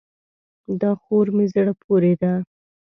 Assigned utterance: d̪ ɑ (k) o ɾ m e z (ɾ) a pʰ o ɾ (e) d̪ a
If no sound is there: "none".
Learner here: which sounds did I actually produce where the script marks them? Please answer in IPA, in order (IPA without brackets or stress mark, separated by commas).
x, ɽ, e